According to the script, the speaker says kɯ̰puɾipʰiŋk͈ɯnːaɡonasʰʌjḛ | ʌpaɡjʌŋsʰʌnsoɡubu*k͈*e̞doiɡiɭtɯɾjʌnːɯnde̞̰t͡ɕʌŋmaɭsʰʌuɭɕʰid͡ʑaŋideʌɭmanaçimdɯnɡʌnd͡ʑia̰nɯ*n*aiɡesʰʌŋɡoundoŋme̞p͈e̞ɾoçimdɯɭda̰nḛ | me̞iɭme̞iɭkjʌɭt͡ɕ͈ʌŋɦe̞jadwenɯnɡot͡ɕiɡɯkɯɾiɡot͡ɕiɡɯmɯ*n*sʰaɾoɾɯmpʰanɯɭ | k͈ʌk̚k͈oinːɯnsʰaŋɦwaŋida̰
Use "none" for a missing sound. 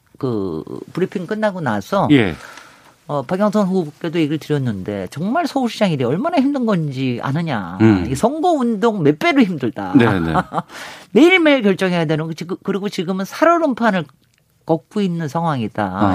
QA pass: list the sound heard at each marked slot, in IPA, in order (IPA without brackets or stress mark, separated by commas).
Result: k͈, ɲ, n